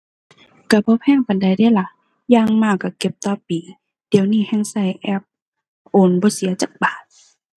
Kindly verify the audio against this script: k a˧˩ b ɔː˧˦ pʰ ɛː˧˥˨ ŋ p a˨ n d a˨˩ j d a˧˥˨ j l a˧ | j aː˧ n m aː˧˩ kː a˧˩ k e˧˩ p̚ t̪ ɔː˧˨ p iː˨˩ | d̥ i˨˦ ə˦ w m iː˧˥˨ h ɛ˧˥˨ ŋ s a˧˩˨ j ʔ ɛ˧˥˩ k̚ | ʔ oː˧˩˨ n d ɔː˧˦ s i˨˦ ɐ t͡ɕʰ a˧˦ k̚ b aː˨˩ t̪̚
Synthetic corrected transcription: k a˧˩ b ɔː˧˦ pʰ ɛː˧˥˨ ŋ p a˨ n d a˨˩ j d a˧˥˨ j l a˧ | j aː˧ ŋ m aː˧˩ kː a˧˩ k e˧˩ p̚ t̪ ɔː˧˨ p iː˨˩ | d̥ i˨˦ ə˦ w n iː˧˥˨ h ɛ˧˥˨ ŋ s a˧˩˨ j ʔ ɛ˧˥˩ p̚ | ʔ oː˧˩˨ n b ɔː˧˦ s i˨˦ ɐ t͡ɕ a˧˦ k̚ b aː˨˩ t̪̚